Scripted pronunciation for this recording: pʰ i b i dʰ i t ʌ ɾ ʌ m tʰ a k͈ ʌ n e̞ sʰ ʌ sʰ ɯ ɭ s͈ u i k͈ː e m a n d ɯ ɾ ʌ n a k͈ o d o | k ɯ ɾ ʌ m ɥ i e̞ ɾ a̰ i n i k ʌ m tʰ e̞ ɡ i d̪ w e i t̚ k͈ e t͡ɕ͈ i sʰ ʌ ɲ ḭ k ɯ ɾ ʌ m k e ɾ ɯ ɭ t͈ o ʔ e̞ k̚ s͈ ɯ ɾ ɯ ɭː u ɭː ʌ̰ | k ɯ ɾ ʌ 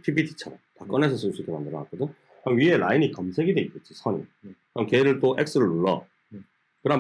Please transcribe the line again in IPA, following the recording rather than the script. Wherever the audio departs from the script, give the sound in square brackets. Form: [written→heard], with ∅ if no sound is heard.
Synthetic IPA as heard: pʰ i b i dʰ i [t→t͡ɕʰ] ʌ ɾ ʌ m [tʰ→t] a k͈ ʌ n e̞ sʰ ʌ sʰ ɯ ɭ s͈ u i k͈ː e m a n d ɯ ɾ ʌ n a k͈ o d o | k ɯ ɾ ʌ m ɥ i e̞ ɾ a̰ i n i k ʌ m [tʰ→sʰ] e̞ ɡ i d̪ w e i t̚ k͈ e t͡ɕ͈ i sʰ ʌ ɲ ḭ k ɯ ɾ ʌ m k e ɾ ɯ ɭ t͈ o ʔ e̞ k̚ s͈ ɯ ɾ ɯ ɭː u ɭː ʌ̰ | k ɯ ɾ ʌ